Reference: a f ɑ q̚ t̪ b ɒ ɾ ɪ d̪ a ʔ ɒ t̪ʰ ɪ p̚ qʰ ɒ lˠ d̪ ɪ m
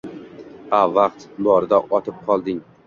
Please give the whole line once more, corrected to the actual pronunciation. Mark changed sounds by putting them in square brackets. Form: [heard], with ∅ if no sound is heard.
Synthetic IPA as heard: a [v] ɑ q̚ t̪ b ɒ ɾ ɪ d̪ a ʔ ɒ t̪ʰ ɪ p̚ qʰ ɒ lˠ d̪ ɪ [ŋ]